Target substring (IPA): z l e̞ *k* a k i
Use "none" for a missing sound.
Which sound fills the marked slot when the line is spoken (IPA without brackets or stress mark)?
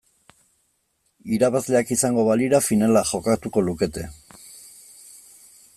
none